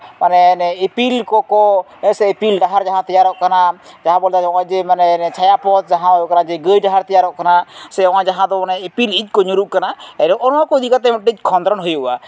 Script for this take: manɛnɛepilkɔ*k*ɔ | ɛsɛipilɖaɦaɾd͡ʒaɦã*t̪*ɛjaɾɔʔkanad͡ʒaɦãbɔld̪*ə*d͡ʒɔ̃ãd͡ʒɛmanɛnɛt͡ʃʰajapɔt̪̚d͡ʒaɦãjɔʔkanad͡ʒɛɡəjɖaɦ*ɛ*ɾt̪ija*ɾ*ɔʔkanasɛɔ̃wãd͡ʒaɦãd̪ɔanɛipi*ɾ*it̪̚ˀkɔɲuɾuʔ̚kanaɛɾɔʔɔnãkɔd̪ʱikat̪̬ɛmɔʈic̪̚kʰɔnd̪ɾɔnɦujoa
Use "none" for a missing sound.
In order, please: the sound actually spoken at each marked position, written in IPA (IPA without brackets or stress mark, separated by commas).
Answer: k, t̪, a, a, ɾ, l